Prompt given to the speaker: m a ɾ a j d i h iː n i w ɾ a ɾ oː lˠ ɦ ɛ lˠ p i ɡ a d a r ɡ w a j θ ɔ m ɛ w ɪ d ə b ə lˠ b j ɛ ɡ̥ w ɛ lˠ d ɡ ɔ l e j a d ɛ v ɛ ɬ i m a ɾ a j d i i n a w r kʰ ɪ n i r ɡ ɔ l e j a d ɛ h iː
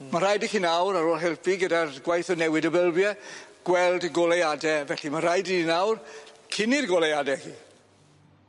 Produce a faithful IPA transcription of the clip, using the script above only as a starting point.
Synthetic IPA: m a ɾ a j d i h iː n a w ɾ a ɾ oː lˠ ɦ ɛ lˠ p i ɡ ə d a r ɡ w a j θ ɔ n ɛ w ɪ d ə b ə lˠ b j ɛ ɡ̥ w ɛ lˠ d ɡ ɔ l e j a d ɛ v ɛ ɬ i m a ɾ a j d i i n a w r kʰ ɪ n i r ɡ ɔ l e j a d ɛ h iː